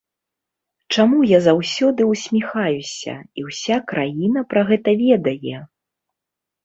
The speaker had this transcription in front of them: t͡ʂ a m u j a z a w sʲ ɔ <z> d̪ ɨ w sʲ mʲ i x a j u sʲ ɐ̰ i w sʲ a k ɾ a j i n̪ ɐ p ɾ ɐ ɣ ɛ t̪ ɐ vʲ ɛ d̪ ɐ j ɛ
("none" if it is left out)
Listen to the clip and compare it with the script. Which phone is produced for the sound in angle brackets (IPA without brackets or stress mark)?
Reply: none